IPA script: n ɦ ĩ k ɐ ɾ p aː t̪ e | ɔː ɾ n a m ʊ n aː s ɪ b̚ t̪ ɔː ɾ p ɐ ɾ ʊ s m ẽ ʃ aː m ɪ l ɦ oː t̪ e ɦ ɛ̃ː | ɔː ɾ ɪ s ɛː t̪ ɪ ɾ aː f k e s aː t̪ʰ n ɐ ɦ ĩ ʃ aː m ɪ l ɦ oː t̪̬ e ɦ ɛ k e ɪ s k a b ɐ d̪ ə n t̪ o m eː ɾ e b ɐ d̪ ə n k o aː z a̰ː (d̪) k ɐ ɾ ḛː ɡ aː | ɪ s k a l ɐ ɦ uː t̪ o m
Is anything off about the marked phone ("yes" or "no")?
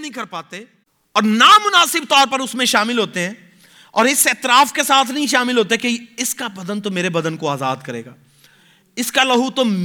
no